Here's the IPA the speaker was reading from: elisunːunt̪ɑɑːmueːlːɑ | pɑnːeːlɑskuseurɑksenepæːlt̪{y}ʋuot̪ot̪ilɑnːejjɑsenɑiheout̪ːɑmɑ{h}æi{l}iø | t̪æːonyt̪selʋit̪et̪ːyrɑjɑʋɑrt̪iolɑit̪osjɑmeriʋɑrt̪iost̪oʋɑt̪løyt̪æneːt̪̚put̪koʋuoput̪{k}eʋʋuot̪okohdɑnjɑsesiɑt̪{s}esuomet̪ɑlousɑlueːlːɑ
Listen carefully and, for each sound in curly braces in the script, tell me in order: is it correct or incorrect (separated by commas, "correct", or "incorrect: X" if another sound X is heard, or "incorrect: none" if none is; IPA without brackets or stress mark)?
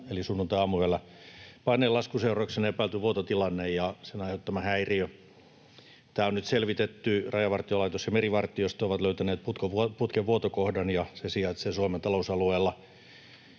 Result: correct, correct, incorrect: r, correct, correct